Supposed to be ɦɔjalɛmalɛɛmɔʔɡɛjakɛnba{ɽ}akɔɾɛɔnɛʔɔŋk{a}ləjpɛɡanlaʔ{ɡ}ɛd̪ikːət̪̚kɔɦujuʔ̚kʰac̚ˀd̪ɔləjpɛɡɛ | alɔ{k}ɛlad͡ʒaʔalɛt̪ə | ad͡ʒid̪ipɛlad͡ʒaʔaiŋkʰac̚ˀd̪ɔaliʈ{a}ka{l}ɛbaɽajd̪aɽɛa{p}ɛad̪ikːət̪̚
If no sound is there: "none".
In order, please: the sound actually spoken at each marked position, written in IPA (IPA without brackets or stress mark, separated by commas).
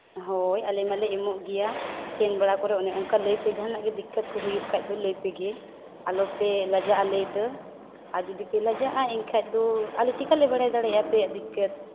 ɽ, a, ɡ, p, i, l, p